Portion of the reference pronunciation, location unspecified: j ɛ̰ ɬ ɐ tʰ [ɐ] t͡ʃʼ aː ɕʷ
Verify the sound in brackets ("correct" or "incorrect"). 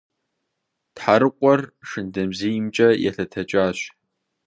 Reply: correct